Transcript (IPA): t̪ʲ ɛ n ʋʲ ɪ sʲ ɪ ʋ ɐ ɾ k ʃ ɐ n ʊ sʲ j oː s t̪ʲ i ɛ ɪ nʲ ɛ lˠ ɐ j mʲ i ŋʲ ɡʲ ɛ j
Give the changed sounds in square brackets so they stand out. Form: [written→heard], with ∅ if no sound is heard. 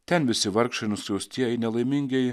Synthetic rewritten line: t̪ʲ ɛ n ʋʲ ɪ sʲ ɪ ʋ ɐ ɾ k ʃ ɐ n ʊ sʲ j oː s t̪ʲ i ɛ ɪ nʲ ɛ lˠ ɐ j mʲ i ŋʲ ɡʲ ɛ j